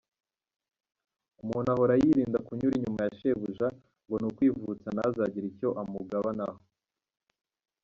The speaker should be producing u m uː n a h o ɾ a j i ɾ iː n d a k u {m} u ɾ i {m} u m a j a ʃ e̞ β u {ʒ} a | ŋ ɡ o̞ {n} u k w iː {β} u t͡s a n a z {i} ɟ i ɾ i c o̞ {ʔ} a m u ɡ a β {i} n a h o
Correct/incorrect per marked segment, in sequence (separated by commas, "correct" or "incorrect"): incorrect, incorrect, correct, correct, incorrect, incorrect, correct, incorrect